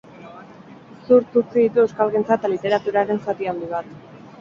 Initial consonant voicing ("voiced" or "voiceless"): voiceless